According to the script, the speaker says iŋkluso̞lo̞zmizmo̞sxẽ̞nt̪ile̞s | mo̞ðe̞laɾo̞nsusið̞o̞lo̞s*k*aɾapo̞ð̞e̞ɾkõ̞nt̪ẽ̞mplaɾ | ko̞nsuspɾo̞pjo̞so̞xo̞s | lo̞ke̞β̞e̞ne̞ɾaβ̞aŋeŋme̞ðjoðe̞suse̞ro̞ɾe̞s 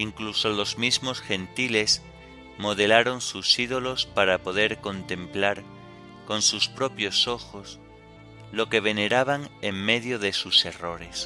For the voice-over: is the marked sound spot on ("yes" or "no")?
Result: no